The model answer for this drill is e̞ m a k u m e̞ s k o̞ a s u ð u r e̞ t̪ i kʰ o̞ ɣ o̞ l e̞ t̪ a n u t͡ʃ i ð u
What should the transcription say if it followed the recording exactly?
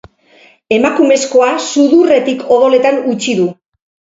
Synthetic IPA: e̞ m a k u m e̞ s k o̞ a s u ð u r e̞ t̪ i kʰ o̞ ð o̞ l e̞ t̪ a n u t͡ʃ i ð u